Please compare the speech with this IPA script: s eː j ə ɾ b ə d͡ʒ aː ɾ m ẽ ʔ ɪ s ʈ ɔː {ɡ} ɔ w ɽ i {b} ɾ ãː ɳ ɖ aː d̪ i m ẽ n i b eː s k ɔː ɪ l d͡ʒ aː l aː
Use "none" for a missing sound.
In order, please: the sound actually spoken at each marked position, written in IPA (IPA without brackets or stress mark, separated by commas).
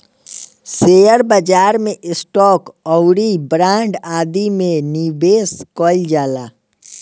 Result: k, b